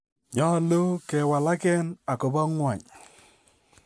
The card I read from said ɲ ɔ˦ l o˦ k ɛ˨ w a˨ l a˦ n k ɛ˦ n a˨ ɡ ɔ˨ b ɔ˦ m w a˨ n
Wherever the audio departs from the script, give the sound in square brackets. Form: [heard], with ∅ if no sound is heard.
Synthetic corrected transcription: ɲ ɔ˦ l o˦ k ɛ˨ w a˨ l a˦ [∅] k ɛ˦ n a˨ [k] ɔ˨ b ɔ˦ [ŋ] w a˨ [ɲ]